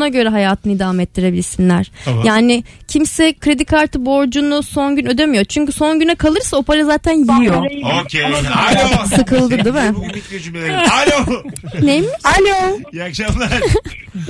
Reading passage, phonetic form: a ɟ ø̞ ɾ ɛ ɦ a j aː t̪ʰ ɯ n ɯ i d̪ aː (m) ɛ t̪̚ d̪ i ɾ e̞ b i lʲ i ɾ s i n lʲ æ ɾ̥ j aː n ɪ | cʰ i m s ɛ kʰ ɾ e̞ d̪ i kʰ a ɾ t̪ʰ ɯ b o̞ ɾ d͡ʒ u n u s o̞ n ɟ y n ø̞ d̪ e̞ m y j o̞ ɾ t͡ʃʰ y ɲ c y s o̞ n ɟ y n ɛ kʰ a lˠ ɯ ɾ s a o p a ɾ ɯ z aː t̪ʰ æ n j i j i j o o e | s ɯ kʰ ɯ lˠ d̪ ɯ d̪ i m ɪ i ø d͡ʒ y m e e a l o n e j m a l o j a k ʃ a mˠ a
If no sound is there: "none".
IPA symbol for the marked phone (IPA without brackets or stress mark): m